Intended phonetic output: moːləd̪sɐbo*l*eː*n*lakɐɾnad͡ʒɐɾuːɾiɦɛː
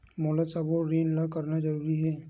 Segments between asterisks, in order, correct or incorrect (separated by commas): incorrect, correct